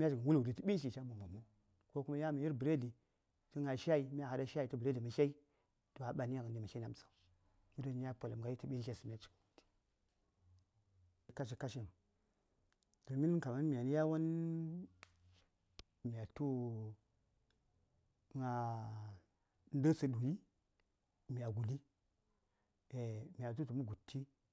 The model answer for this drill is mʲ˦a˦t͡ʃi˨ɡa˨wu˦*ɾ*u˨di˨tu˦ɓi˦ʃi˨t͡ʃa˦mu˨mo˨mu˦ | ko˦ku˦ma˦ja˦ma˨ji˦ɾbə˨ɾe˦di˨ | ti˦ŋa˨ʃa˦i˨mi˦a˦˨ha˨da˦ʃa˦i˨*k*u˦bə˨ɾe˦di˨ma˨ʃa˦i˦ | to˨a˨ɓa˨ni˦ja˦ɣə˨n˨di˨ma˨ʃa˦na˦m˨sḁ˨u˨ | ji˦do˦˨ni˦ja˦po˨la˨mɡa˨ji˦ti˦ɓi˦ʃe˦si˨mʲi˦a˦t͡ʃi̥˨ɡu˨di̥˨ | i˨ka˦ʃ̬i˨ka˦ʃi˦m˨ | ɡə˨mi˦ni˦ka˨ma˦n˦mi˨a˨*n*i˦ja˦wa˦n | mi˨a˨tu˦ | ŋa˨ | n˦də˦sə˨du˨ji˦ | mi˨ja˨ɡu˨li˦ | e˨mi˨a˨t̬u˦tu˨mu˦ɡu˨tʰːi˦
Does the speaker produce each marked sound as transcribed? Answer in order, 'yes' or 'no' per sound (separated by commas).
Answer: no, no, yes